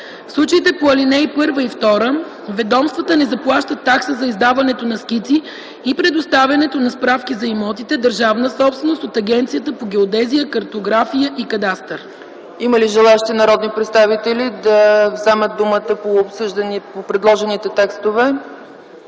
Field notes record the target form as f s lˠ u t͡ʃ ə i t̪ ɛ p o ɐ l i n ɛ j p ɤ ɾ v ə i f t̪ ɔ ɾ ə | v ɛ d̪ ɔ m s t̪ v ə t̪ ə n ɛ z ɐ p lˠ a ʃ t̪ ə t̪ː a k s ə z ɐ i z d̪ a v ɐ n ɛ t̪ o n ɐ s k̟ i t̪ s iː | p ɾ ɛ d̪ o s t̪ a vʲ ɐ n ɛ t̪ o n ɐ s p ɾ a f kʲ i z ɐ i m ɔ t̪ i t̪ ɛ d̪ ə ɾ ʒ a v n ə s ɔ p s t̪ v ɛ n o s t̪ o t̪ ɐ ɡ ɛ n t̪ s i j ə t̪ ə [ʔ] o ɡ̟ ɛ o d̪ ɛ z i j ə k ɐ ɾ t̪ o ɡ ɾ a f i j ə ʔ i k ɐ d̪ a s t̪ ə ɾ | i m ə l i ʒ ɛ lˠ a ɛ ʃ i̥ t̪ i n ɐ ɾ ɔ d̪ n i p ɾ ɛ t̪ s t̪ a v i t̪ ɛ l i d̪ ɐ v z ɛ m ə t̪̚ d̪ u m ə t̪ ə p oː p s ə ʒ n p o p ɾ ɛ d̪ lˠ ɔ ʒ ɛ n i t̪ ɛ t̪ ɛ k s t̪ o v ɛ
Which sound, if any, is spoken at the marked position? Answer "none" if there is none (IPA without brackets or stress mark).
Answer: p